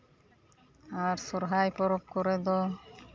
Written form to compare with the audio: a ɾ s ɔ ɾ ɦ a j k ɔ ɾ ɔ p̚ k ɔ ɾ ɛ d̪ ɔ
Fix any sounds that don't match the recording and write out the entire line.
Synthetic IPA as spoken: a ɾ s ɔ ɾ ɦ a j p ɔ ɾ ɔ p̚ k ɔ ɾ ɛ d̪ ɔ